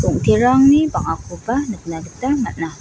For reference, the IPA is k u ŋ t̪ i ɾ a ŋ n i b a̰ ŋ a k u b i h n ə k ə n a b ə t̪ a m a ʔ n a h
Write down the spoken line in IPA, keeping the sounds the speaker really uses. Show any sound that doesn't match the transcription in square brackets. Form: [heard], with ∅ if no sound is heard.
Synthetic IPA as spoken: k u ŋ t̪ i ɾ a ŋ n i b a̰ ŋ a k u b [a] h n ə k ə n a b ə t̪ a m a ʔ n a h